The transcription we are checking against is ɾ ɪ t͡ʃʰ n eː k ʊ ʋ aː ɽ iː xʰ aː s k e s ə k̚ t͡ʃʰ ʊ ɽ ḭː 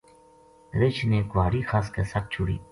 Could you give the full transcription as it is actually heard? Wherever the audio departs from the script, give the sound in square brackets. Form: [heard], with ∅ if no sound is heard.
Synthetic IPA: ɾ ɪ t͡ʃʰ n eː k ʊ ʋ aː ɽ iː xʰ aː s k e s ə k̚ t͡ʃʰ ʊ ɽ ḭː